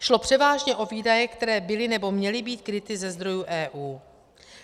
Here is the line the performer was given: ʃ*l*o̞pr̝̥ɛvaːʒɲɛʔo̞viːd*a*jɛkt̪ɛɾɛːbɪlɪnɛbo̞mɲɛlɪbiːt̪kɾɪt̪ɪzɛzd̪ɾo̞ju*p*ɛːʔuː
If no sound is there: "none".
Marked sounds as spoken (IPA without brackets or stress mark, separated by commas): l, a, ʔ